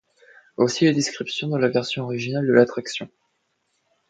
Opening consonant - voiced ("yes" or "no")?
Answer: no